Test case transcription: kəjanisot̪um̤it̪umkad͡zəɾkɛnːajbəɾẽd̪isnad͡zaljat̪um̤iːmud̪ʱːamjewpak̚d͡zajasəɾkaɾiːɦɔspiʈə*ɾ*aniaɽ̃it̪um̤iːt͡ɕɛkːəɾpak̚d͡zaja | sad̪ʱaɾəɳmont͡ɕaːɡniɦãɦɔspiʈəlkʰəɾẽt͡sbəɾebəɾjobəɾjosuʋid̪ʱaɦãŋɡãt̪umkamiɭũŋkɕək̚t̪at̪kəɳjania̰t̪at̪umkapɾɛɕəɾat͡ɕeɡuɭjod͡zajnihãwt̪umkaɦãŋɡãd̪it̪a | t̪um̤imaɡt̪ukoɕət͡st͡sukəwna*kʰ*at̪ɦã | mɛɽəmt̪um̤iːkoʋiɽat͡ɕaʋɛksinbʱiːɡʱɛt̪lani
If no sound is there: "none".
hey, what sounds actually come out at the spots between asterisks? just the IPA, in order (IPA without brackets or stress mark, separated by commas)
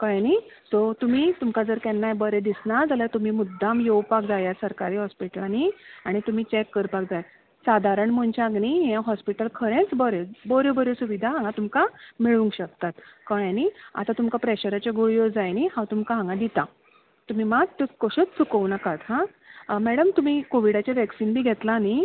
l, k